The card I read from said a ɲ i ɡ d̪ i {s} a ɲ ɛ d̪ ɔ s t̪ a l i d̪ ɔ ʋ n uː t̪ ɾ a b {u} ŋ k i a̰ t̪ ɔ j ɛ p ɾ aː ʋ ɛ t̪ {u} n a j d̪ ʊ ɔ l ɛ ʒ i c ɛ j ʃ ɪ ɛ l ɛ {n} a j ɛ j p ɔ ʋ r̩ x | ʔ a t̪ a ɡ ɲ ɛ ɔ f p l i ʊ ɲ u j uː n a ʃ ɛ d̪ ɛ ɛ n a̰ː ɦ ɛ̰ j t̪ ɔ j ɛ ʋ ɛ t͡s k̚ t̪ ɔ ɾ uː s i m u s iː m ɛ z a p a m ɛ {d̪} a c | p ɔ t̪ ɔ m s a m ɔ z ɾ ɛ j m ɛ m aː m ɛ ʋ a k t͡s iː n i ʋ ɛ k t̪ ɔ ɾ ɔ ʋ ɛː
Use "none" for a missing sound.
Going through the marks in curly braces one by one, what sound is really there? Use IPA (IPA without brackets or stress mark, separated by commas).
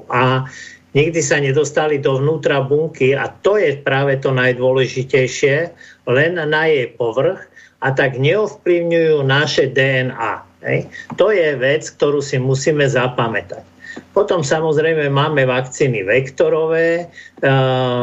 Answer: s, u, ɔ, nː, t̪